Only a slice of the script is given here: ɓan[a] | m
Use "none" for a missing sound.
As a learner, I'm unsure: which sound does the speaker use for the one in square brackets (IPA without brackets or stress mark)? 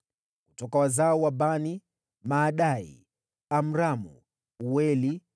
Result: i